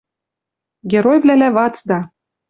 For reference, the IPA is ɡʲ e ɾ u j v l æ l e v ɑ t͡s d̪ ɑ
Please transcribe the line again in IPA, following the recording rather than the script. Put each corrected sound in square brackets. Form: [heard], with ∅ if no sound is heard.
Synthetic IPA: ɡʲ e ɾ [o] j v l æ l [æ] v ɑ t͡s d̪ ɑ